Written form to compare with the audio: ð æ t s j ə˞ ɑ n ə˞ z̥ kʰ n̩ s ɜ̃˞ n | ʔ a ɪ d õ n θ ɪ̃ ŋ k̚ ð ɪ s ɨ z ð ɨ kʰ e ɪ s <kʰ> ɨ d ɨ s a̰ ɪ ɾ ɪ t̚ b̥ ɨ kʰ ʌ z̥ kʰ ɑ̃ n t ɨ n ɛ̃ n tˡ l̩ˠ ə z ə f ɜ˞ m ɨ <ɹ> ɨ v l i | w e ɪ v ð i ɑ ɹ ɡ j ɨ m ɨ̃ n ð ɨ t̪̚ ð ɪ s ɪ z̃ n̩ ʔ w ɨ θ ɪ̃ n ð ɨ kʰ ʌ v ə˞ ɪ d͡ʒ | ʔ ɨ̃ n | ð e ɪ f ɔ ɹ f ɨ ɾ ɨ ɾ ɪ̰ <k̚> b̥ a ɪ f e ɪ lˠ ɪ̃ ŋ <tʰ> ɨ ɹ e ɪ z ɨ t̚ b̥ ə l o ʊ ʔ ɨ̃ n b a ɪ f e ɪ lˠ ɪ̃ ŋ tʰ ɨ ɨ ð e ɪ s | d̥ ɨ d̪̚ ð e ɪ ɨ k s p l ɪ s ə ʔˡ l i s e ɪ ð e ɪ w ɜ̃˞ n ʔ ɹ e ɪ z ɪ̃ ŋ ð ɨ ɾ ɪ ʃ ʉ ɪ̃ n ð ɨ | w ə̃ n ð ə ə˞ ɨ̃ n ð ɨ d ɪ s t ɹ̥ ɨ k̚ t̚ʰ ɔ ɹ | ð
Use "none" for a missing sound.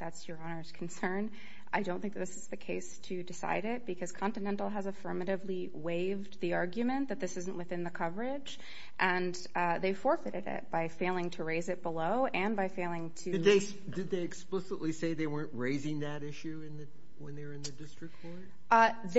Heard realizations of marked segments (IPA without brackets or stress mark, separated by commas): tʰ, ɾ, t̚, tʰ